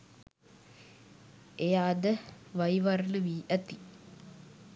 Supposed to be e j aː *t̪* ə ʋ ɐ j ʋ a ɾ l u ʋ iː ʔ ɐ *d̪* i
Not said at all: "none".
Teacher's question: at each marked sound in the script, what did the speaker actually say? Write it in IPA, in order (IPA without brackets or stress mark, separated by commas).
d̪, t̪